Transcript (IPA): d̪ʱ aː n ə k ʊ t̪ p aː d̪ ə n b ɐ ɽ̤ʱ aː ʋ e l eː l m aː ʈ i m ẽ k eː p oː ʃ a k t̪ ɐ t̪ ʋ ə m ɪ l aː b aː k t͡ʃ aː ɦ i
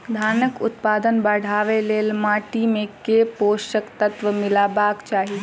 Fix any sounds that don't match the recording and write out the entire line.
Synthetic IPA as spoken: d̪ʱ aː n ə k ʊ t̪ p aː d̪ ə n b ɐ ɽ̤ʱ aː ʋ e l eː l m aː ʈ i m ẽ k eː p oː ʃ ə k t̪ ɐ t̪ ʋ ə m ɪ l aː b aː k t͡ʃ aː ɦ i

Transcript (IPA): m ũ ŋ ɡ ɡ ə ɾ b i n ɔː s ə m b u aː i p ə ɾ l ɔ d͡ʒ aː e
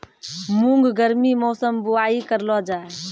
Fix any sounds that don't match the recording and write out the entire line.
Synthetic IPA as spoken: m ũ ŋ ɡ ɡ ə ɾ m i m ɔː s ə m b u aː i k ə ɾ l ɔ d͡ʒ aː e

